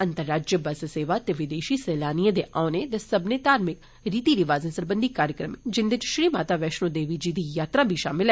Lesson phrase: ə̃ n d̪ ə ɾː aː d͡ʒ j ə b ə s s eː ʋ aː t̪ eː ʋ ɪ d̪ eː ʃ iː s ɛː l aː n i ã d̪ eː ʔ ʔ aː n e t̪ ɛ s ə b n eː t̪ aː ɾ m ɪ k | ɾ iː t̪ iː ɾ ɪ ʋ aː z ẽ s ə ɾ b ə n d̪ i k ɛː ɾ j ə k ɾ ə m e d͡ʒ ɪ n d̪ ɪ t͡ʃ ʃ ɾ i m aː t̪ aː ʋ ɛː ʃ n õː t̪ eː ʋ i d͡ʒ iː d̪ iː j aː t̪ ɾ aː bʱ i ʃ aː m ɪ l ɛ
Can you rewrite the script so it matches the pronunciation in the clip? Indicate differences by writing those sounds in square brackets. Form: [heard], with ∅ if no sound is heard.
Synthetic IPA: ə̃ n [t̪] ə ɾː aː d͡ʒ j ə b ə s s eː ʋ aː t̪ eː ʋ ɪ d̪ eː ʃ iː s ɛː l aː n i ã d̪ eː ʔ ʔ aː n e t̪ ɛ s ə b n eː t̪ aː ɾ m ɪ k | ɾ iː t̪ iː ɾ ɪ ʋ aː z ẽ s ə ɾ b ə n d̪ i k [aː] ɾ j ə k ɾ ə m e d͡ʒ ɪ n d̪ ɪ t͡ʃ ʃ ɾ [iː] m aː t̪ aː ʋ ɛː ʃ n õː [d̪] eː ʋ i d͡ʒ iː d̪ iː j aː t̪ ɾ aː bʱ i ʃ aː m ɪ l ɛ

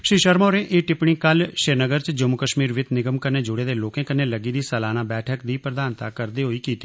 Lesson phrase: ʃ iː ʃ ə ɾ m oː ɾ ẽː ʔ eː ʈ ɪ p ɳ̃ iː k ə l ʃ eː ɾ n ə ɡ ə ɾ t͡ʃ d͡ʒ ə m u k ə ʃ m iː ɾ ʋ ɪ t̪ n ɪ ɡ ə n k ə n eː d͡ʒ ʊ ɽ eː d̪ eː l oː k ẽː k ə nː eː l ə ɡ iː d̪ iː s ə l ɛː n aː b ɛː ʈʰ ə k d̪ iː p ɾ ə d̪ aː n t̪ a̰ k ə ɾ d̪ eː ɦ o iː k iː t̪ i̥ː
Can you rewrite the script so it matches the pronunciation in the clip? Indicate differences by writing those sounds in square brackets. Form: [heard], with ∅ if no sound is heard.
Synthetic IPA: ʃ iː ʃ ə ɾ m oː ɾ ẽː ʔ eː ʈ ɪ p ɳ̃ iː k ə l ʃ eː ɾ n ə ɡ ə ɾ t͡ʃ d͡ʒ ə m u k ə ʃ m iː ɾ ʋ ɪ t̪ n ɪ ɡ ə [m] k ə n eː d͡ʒ ʊ ɽ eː d̪ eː l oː k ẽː k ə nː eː l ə ɡ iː d̪ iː s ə l [aː] n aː b ɛː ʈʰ ə k d̪ iː p ɾ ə d̪ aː n t̪ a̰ k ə ɾ d̪ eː ɦ o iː k iː t̪ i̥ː

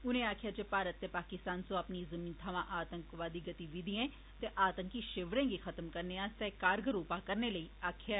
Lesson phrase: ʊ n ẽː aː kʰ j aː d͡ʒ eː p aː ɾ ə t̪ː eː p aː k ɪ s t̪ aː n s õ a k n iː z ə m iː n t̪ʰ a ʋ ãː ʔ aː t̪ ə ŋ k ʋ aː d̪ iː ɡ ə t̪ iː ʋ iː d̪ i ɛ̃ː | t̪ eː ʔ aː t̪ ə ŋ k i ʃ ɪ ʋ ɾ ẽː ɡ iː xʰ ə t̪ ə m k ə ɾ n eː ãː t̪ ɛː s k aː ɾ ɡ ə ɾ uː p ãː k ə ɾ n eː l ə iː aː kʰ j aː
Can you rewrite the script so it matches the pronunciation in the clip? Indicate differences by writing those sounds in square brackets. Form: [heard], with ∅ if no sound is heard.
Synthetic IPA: ʊ n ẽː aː kʰ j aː d͡ʒ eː p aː ɾ ə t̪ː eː p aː k ɪ s t̪ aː n s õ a [p] n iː z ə m iː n t̪ʰ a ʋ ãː ʔ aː t̪ ə ŋ k ʋ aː d̪ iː ɡ ə t̪ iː ʋ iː d̪ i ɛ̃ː | t̪ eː ʔ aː t̪ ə ŋ k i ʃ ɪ ʋ ɾ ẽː ɡ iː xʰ ə t̪ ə m k ə ɾ n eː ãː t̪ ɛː [∅] k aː ɾ ɡ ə ɾ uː p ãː k ə ɾ n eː l ə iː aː kʰ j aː

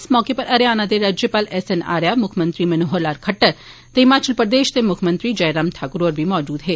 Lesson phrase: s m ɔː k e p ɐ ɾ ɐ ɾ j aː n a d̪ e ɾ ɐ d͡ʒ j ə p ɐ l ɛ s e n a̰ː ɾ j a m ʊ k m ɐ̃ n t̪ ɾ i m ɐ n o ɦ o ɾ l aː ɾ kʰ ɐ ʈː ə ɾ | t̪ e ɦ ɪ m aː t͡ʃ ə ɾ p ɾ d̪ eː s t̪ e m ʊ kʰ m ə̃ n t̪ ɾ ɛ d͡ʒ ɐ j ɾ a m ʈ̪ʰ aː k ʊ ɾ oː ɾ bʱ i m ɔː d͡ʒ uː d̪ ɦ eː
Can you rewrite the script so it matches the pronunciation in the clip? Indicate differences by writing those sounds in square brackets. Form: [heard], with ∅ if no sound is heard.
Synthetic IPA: s m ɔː k e p ɐ ɾ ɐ ɾ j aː n a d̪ e ɾ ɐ d͡ʒ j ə p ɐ l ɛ s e n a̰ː ɾ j a m ʊ [kʰ] m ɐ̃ n t̪ ɾ i m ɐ n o ɦ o ɾ l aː ɾ kʰ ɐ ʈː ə ɾ | t̪ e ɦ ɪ m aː t͡ʃ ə [l] p ɾ d̪ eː [ʃ] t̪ e m ʊ kʰ m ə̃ n t̪ ɾ [i] d͡ʒ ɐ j ɾ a m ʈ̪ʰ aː k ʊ ɾ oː ɾ bʱ i m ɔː d͡ʒ uː d̪ ɦ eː

